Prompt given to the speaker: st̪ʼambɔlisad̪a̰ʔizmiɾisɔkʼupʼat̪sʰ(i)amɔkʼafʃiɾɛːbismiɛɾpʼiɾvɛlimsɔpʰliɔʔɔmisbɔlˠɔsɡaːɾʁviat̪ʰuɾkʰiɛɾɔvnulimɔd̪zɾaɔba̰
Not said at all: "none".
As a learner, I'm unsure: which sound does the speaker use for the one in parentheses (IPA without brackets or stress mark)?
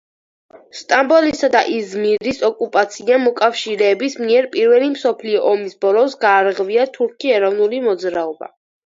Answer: i